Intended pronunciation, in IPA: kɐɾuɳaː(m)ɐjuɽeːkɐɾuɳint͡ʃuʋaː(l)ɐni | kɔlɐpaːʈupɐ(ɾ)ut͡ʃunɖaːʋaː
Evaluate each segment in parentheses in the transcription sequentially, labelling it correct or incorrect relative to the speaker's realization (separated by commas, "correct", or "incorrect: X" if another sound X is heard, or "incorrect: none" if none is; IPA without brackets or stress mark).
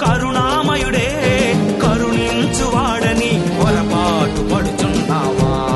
correct, incorrect: ɽ, incorrect: ɽ